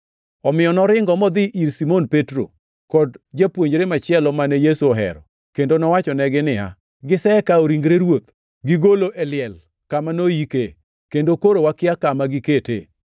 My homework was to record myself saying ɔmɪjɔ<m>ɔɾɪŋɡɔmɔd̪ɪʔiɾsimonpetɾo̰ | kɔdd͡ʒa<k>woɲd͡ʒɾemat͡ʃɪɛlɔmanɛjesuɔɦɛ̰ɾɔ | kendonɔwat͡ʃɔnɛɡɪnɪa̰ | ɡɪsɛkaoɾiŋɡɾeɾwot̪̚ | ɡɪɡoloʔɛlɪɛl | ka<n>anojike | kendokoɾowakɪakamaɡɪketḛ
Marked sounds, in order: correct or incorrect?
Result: incorrect: n, incorrect: p, incorrect: m

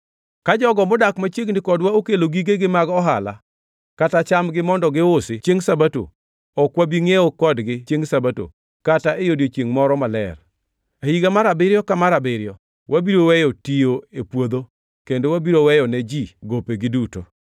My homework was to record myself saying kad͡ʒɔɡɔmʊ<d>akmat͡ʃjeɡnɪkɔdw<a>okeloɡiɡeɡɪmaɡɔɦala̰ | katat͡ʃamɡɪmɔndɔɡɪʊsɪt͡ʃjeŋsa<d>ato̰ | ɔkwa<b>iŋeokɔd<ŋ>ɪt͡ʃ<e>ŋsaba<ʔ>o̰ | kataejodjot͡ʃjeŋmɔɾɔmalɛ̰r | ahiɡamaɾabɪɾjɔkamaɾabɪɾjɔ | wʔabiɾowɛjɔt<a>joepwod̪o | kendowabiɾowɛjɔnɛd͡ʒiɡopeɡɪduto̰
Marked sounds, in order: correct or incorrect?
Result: correct, correct, incorrect: b, correct, incorrect: ɡ, correct, incorrect: t, incorrect: i

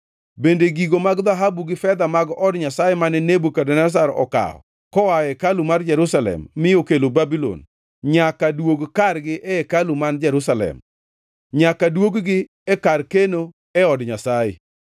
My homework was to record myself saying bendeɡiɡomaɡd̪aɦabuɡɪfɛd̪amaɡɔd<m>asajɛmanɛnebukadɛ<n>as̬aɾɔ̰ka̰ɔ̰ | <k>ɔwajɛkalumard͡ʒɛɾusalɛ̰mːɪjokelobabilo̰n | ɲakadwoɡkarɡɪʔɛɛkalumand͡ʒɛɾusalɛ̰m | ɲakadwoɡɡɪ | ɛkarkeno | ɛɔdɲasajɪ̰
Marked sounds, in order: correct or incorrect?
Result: incorrect: ɲ, correct, correct

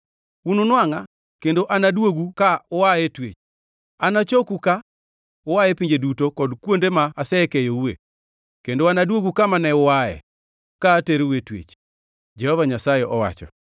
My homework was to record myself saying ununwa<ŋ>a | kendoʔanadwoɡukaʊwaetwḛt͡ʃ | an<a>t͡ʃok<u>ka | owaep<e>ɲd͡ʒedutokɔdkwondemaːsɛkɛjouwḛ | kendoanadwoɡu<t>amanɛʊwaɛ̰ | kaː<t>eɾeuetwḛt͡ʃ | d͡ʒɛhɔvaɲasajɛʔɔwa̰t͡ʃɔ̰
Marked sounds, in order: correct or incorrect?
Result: correct, correct, correct, incorrect: i, incorrect: k, correct

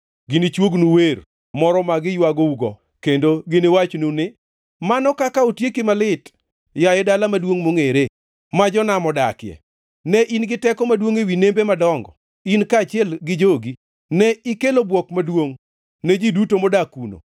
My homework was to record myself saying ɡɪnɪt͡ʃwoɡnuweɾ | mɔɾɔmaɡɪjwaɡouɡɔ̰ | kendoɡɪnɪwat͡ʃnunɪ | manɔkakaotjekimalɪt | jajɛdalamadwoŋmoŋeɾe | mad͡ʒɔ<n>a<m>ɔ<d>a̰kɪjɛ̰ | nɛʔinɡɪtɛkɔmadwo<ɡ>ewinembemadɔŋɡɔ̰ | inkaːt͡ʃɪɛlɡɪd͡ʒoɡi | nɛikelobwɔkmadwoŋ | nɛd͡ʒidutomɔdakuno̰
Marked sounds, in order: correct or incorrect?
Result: correct, correct, correct, incorrect: ŋ

